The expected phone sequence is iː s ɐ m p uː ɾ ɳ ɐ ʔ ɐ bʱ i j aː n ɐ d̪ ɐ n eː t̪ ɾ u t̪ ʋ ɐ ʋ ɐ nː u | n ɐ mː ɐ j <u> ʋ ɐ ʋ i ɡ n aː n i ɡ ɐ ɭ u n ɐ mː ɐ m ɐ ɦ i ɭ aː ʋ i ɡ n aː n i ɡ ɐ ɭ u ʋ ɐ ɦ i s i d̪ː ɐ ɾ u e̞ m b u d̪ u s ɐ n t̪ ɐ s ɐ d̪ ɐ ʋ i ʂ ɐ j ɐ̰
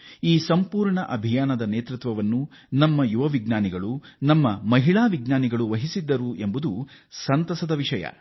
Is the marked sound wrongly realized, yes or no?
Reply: no